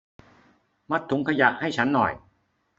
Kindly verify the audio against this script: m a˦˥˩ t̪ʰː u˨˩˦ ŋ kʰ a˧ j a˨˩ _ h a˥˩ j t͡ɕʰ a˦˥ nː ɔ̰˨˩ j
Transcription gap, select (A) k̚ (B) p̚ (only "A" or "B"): A